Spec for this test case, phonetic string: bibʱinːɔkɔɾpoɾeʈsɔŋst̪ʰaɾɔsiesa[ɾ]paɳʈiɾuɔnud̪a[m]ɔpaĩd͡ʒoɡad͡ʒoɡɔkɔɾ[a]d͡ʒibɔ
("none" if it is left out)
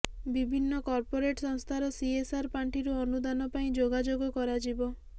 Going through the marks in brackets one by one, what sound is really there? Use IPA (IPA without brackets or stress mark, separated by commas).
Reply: ɾ, n, a